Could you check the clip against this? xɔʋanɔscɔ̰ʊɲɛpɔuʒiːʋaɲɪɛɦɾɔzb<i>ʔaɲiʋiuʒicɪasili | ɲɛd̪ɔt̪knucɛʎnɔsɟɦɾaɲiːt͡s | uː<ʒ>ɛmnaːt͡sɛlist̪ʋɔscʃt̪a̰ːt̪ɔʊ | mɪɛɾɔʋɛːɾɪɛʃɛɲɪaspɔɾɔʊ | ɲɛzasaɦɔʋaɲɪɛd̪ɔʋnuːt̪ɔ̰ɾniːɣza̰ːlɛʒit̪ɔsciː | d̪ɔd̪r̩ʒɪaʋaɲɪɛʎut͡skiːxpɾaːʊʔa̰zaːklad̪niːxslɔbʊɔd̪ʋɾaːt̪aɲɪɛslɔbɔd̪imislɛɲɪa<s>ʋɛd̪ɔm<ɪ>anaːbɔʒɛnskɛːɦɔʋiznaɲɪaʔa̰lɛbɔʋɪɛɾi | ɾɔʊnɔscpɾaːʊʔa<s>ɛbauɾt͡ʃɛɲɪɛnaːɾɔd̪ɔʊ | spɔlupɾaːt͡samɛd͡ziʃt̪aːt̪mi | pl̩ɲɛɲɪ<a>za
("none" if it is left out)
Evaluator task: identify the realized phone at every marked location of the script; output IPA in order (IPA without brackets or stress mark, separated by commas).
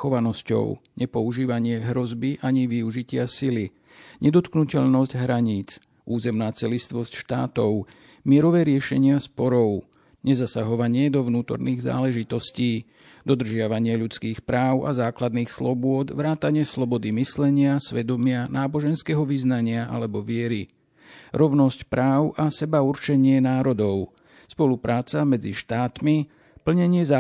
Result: i, z, s, ɪ, s, ɛ